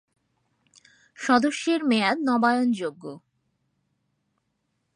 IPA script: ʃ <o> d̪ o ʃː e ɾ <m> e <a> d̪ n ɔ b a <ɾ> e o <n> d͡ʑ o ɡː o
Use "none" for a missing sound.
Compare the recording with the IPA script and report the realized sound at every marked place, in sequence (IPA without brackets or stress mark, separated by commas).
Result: ɔ, m, a, none, n